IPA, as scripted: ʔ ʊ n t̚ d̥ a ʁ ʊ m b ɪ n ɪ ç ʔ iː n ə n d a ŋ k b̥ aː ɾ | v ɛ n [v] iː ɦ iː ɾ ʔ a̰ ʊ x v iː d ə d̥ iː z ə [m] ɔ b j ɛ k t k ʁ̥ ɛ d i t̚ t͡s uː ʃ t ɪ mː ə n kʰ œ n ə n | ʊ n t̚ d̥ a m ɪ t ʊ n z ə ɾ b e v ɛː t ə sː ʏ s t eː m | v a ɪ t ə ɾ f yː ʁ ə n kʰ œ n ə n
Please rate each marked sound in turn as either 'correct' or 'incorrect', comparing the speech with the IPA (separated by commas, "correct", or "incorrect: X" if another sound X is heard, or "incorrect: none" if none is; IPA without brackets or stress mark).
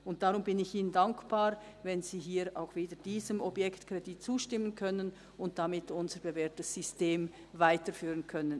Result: incorrect: z, correct